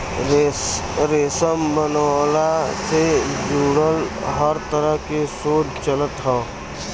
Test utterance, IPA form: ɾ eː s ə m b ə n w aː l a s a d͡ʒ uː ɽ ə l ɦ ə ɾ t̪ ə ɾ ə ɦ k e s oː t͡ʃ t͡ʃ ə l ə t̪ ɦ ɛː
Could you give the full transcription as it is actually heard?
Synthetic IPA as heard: ɾ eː s ə m b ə n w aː l a s e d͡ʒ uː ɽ ə l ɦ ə ɾ t̪ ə ɾ ə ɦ k e s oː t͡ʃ t͡ʃ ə l ə t̪ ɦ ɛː

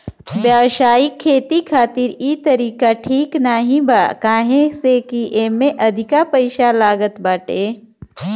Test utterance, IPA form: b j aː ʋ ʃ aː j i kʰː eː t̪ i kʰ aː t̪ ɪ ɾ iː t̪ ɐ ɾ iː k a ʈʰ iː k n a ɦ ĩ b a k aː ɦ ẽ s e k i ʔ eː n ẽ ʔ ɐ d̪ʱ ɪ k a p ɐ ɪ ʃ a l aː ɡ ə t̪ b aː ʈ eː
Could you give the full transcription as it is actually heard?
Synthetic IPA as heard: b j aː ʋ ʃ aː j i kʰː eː t̪ i kʰ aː t̪ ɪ ɾ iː t̪ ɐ ɾ iː k a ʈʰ iː k n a ɦ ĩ b a k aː ɦ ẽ s e k i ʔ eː m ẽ ʔ ɐ d̪ʱ ɪ k a p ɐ ɪ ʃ a l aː ɡ ə t̪ b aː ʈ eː

